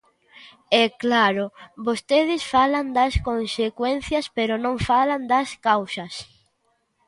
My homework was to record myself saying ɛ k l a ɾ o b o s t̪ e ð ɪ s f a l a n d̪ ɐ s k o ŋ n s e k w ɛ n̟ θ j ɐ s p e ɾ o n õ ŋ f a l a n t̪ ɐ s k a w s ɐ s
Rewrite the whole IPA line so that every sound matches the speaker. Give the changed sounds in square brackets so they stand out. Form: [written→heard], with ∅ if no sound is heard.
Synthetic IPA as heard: ɛ k l a ɾ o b o s t̪ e ð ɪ s f a l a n d̪ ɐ s k o [ŋ→∅] n s e k w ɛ n̟ θ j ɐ s p e ɾ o n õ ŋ f a l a n [t̪→d̪] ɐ s k a w s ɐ s